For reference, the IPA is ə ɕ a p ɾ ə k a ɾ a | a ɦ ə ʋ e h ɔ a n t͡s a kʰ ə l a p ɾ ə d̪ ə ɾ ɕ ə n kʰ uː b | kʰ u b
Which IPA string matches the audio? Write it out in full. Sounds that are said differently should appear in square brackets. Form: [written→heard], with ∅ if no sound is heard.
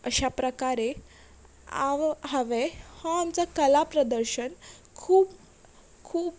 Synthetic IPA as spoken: ə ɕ a p ɾ ə k a ɾ [a→e] | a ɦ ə ʋ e h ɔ a [n→m] t͡s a [kʰ→k] ə l a p ɾ ə d̪ ə ɾ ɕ ə n kʰ uː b | kʰ [u→uː] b